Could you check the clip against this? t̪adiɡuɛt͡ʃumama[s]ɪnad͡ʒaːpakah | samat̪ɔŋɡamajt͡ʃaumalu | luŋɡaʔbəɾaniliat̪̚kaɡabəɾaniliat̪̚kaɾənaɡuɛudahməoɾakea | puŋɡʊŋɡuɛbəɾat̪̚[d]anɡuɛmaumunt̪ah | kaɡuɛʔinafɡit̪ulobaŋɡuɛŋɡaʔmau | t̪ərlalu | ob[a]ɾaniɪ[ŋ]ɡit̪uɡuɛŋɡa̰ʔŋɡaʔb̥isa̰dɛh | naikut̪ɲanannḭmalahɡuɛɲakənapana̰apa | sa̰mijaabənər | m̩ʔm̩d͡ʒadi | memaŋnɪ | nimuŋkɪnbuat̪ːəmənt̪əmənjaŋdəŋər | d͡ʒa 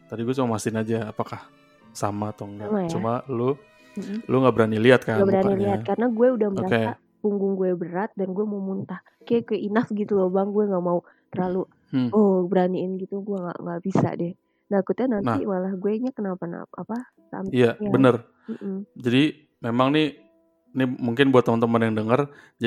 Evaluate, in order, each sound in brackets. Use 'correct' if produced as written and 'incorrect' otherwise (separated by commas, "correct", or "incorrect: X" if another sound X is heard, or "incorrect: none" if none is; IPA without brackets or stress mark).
correct, correct, incorrect: ə, incorrect: n